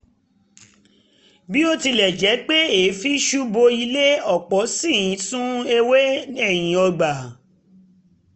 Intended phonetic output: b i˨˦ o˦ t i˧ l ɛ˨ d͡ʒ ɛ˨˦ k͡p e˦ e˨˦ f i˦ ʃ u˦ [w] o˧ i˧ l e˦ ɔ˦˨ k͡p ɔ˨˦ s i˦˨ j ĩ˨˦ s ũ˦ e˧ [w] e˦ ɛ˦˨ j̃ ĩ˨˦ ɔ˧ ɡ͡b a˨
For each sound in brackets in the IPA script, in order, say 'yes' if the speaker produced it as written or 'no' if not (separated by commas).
no, yes